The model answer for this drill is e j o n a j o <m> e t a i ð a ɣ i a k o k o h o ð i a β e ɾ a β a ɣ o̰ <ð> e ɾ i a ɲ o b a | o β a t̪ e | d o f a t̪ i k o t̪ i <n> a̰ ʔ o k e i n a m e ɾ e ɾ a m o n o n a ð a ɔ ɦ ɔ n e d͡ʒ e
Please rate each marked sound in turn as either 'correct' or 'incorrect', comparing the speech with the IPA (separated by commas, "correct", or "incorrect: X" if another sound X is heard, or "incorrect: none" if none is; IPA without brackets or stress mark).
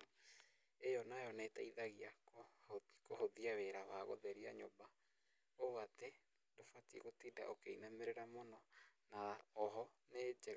incorrect: n, correct, incorrect: d